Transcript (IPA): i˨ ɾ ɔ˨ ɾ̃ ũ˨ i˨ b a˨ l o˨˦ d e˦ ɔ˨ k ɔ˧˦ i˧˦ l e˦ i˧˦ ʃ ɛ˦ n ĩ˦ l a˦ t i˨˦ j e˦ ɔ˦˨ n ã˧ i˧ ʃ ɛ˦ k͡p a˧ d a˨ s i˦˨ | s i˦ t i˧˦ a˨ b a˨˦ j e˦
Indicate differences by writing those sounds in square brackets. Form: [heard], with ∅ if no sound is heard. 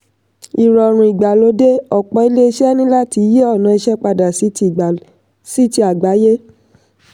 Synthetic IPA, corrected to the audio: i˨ ɾ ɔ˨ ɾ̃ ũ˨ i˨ [ɡ͡b] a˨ l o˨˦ d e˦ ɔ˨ [k͡p] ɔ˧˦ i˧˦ l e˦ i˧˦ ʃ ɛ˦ n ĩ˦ l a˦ t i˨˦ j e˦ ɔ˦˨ n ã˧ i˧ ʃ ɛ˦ k͡p a˧ d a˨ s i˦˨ | s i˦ t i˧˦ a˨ [ɡ͡b] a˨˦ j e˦